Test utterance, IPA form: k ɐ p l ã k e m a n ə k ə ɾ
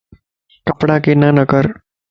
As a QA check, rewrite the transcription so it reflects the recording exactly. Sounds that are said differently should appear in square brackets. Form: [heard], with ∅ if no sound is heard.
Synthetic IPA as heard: k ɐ p [ɽ] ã k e [n] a n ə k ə ɾ